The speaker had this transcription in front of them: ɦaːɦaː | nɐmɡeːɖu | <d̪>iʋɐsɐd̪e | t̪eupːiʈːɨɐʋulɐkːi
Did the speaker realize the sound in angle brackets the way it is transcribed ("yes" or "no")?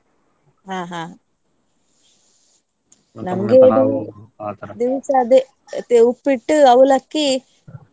yes